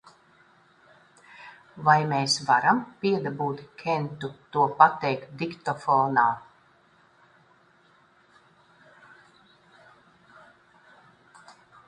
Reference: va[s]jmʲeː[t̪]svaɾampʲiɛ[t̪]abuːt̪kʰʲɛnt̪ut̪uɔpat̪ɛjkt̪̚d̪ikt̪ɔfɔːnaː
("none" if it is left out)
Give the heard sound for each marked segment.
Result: none, none, d̪

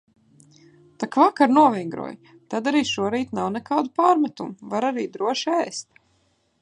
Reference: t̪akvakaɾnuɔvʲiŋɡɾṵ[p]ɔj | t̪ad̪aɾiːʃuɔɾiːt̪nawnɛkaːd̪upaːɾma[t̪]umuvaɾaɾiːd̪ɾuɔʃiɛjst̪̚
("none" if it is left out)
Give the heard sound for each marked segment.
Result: none, t̪

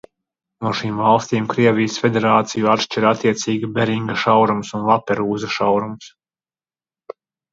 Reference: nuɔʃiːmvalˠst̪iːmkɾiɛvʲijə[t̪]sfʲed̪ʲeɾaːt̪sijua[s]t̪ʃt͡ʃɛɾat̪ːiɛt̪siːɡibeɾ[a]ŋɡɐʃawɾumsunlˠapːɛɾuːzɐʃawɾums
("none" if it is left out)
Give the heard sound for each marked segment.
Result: none, none, i

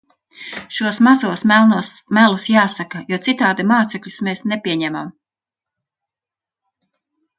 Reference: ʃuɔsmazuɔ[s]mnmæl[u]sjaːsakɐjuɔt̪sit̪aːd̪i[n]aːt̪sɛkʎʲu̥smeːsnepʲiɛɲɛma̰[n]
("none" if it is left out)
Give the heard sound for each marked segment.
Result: s, u, m, m

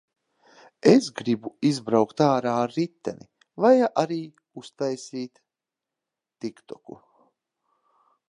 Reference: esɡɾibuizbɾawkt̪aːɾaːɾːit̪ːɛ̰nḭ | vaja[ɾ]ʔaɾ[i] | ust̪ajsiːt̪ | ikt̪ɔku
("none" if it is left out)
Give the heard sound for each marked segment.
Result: none, iː

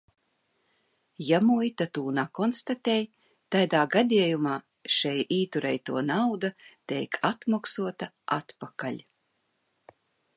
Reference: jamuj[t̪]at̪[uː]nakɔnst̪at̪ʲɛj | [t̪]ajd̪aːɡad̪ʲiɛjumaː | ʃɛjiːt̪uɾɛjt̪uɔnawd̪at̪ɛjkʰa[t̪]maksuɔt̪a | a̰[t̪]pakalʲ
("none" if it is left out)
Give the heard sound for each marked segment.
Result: t̪, uː, t̪, t̪, t̪

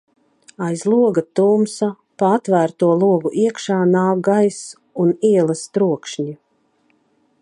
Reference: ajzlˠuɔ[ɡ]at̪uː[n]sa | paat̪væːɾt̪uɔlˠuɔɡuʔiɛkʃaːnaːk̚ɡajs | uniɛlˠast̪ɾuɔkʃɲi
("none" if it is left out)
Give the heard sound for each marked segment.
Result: ɡ, m

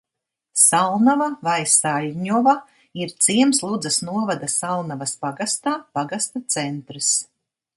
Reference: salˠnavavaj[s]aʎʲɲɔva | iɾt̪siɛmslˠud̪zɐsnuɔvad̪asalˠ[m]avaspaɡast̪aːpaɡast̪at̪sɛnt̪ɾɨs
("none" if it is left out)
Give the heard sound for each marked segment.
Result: s, n

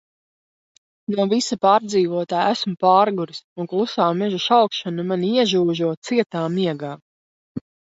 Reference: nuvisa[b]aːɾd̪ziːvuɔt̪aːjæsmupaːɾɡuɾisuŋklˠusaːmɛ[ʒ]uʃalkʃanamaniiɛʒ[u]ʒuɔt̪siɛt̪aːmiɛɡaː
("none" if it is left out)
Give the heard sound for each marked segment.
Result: p, ʒ, uː

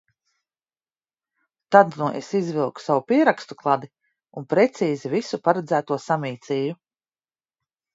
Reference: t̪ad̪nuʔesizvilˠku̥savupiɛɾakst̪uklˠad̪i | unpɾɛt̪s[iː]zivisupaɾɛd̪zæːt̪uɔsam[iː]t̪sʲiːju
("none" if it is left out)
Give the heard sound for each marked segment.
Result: iː, iː

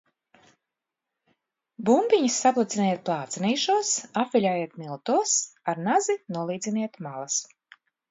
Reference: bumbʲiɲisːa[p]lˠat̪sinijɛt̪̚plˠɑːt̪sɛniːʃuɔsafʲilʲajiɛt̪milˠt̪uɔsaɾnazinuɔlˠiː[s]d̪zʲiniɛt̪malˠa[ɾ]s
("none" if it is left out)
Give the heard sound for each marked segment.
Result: p, none, none

